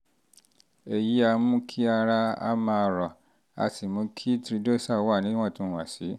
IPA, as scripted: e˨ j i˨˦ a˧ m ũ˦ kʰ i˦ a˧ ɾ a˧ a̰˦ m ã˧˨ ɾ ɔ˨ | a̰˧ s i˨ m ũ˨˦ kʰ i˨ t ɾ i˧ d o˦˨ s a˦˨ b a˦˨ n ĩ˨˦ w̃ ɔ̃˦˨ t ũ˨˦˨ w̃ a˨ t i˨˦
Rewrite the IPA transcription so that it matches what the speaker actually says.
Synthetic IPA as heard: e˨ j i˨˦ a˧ m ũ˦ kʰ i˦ a˧ ɾ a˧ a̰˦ m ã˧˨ ɾ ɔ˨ | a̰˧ s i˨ m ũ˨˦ kʰ i˦ t ɾ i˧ d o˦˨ s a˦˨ w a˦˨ n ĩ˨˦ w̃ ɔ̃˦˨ t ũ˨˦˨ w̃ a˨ s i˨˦